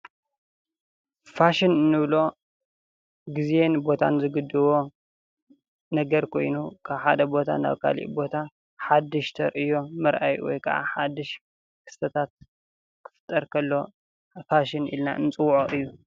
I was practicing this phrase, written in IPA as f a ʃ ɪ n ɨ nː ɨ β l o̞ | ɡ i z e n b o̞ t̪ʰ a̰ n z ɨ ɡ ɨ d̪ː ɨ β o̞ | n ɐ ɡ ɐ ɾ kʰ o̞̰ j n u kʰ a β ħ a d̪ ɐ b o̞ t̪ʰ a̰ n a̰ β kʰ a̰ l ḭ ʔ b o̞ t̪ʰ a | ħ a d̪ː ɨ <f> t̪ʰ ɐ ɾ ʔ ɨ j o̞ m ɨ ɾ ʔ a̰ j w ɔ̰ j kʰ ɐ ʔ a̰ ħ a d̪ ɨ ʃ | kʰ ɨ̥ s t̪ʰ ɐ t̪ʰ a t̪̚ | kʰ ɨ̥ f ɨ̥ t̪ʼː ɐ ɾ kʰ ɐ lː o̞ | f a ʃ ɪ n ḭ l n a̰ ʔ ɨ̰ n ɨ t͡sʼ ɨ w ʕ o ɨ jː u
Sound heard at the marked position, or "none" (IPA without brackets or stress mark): ʃ